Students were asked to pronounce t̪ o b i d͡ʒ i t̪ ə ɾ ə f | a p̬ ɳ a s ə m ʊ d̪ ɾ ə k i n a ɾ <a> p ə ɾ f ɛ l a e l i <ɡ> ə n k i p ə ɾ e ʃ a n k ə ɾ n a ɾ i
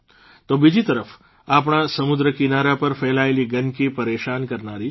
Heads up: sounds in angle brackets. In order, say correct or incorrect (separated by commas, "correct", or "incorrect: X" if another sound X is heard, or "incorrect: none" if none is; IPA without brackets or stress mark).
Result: correct, correct